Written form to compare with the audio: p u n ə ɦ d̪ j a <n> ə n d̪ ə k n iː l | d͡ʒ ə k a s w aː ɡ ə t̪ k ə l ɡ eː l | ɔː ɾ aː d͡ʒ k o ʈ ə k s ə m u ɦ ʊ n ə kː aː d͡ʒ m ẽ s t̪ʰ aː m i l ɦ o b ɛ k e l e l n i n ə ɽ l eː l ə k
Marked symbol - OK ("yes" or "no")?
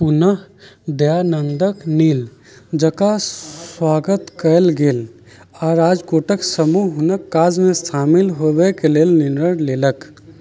yes